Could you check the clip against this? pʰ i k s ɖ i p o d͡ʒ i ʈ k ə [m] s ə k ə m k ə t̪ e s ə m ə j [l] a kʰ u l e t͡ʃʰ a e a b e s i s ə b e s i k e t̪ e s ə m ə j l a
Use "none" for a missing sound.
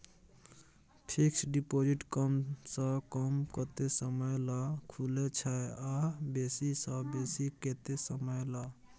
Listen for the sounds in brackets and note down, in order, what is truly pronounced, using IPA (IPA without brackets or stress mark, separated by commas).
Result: m, l